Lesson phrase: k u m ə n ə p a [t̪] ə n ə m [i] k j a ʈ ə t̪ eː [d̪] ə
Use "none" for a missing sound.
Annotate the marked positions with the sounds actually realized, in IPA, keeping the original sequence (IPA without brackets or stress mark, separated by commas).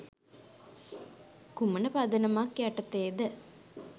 d̪, a, d̪